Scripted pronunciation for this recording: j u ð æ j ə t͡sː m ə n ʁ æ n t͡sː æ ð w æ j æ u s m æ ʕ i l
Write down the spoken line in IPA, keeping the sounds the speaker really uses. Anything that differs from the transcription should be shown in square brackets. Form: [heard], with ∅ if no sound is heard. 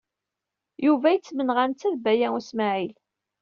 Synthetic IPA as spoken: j u [v] æ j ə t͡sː m ə n ʁ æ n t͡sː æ ð [b] æ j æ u s m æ ʕ i l